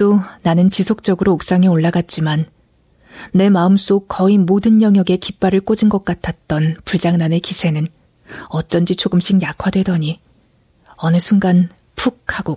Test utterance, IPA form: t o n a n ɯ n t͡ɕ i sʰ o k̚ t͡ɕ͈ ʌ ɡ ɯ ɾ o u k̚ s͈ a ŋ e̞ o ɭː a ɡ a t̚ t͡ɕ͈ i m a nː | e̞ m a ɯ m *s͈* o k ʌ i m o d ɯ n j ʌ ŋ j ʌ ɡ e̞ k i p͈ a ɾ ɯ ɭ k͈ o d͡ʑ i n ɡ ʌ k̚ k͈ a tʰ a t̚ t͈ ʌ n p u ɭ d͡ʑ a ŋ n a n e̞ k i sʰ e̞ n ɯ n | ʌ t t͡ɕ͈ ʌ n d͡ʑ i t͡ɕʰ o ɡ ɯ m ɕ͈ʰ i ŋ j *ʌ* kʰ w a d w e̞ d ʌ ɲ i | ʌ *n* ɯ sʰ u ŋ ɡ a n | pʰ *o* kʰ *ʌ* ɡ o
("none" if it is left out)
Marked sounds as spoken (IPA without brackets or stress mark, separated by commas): s͈, a, n, u, a